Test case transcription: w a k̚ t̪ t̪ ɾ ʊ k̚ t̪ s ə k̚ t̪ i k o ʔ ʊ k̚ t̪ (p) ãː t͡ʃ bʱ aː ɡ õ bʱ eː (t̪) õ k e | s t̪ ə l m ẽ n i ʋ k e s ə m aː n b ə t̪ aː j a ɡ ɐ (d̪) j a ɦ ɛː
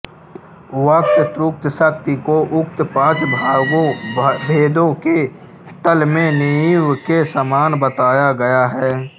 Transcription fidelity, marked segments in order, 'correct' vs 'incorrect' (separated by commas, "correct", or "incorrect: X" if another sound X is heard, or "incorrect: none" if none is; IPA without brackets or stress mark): correct, incorrect: d̪, incorrect: none